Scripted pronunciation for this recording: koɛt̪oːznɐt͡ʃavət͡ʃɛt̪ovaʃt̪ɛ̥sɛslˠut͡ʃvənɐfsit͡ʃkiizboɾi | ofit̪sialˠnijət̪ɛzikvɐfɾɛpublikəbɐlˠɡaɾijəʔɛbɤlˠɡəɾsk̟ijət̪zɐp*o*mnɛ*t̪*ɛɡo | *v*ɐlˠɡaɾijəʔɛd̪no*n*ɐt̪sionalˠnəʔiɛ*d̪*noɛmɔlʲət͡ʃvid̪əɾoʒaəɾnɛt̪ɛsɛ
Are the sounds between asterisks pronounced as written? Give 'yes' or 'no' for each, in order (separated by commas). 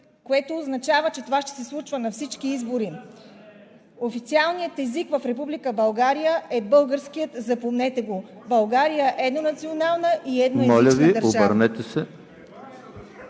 yes, yes, no, yes, yes